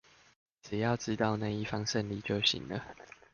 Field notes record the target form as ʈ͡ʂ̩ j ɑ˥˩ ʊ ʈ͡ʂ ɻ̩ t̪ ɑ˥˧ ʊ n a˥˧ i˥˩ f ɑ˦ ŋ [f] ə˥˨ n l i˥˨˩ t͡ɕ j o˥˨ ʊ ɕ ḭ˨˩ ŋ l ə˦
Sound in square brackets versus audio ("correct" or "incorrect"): incorrect